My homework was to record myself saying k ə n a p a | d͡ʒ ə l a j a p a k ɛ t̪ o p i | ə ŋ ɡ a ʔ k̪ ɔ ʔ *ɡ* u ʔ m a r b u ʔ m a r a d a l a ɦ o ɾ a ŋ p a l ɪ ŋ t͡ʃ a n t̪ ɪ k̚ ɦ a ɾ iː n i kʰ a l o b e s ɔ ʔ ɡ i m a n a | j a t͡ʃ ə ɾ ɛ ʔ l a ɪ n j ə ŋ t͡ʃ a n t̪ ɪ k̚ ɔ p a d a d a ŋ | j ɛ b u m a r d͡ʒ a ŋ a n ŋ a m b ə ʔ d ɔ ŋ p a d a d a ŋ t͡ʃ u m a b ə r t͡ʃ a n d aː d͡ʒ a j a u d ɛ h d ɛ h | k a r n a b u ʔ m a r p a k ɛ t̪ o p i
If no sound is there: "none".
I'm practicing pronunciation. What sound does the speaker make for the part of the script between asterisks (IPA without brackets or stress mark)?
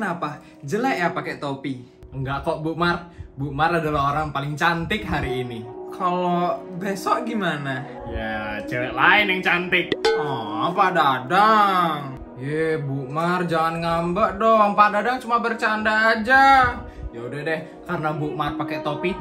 b